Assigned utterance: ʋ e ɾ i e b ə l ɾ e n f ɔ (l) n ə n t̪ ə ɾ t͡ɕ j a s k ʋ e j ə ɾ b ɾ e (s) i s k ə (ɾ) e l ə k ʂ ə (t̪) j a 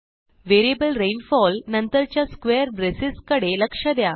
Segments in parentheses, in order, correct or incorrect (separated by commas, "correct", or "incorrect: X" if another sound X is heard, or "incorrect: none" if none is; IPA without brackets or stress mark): correct, correct, incorrect: ɽ, incorrect: d̪